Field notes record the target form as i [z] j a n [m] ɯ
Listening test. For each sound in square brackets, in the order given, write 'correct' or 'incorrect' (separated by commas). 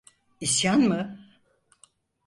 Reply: incorrect, correct